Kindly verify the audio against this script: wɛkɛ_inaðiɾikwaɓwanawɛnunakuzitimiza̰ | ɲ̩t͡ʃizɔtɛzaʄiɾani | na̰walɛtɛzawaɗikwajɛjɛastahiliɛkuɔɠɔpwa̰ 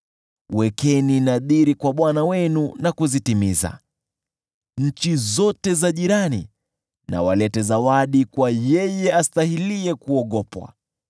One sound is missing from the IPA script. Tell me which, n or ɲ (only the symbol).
n